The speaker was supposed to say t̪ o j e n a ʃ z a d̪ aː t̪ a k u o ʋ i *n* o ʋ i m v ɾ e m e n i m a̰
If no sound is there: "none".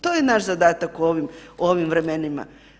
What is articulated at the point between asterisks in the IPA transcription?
m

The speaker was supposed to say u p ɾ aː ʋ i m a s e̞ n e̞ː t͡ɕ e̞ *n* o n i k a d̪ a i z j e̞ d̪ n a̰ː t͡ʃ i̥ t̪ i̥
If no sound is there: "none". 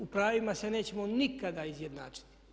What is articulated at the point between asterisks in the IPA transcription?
m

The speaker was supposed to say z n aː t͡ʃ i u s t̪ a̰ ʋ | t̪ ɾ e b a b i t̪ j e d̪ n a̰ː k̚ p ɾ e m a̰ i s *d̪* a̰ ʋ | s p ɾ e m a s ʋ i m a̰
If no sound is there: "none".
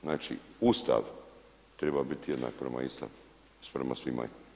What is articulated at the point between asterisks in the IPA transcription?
t̪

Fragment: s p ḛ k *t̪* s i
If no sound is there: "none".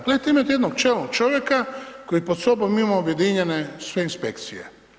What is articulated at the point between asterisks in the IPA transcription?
t̪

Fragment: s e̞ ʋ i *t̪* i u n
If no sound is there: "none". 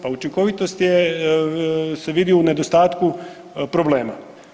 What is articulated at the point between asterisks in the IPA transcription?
d̪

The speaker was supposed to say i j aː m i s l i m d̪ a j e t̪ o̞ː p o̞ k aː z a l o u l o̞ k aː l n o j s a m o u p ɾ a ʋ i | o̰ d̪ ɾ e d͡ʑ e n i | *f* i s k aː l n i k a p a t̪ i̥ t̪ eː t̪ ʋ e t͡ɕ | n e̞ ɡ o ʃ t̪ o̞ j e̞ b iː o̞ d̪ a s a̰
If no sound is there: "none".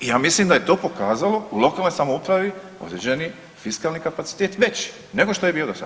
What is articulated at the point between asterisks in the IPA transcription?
f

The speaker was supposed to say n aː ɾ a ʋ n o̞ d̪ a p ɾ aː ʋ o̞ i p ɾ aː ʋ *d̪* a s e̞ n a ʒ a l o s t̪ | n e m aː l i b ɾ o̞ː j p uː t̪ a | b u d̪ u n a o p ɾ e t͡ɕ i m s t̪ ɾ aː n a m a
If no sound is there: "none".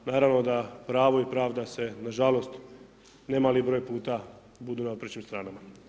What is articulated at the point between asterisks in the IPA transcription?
d̪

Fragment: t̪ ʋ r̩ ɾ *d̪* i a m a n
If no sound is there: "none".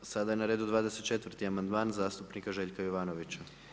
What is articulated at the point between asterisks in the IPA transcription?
t̪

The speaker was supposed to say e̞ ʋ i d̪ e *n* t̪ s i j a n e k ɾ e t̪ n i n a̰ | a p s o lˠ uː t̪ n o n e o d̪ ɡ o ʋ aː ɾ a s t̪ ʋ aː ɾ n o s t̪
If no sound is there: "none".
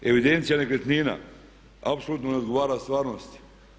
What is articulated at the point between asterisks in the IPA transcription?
n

